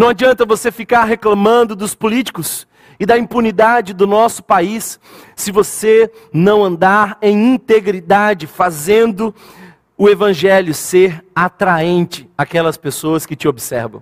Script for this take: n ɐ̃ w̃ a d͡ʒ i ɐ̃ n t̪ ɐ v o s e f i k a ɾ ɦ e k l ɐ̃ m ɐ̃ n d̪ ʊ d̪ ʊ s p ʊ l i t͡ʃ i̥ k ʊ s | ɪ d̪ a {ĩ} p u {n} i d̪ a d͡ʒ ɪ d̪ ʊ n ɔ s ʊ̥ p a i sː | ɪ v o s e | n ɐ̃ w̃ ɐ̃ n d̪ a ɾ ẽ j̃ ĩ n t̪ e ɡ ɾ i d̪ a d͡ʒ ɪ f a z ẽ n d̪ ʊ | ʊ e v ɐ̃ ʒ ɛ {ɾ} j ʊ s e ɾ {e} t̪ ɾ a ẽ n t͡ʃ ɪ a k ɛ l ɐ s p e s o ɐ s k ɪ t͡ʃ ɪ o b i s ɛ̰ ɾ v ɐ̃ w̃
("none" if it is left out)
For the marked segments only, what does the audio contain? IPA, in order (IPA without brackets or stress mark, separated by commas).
ĩ, n, l, a